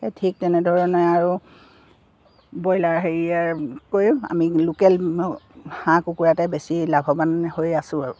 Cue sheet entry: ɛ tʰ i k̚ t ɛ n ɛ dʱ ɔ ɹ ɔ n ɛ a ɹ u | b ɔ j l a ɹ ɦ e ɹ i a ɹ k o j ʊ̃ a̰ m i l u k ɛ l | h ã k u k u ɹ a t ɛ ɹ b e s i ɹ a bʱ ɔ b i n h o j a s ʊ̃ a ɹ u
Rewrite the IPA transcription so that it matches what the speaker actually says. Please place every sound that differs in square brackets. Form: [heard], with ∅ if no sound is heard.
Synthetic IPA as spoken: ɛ tʰ i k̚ t ɛ n ɛ dʱ ɔ ɹ ɔ n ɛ a ɹ u | b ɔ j l a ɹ ɦ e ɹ i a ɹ k o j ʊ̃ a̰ m i l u k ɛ l | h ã k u k u ɹ a t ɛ [∅] b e s i [l] a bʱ ɔ b [a] n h o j a s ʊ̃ a ɹ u